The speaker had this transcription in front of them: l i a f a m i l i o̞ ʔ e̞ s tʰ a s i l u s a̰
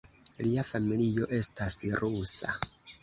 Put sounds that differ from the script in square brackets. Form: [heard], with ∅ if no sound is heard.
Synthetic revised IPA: l i a f a m i l i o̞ ʔ e̞ s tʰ a s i [ɾ] u s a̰